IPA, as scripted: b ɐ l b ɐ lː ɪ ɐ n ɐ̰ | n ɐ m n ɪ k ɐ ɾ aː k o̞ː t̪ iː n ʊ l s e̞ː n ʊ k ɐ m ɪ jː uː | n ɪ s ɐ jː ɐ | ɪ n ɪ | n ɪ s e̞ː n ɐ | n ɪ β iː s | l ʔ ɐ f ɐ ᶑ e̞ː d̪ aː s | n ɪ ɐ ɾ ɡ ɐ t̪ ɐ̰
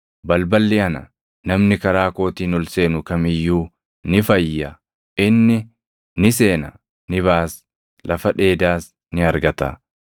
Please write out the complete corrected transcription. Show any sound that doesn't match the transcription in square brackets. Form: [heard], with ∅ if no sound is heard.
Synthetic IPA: b ɐ l b ɐ lː ɪ ɐ n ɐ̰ | n ɐ m n ɪ k ɐ ɾ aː k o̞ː t̪ iː n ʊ l s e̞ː n ʊ k ɐ m ɪ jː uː | n ɪ [f] ɐ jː ɐ | ɪ [nː] ɪ | n ɪ s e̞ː n ɐ | n ɪ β [aː] s | l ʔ ɐ f ɐ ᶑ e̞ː d̪ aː s | n ɪ ɐ ɾ ɡ ɐ t̪ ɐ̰